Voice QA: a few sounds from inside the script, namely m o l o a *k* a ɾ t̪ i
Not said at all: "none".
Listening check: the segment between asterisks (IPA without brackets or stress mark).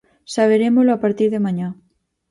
p